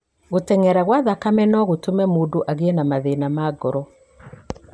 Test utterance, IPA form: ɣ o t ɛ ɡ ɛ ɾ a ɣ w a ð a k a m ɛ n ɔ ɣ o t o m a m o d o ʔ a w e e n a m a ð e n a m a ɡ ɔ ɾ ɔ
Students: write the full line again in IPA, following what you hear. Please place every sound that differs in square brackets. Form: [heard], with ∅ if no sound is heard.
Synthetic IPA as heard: ɣ o t ɛ [ŋ] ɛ ɾ a ɣ w a ð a k a m ɛ n ɔ ɣ o t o m [ɛ] m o d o ʔ a [ɣ] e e n a m a ð e n a m a ɡ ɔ ɾ ɔ